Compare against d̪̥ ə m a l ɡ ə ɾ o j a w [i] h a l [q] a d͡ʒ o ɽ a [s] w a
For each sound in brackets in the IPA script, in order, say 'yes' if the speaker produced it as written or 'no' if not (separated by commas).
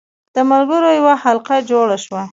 no, yes, no